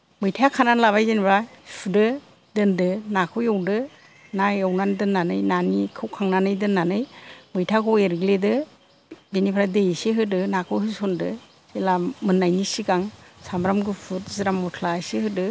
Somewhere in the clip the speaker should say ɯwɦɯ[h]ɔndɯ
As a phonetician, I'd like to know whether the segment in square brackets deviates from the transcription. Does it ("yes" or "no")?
yes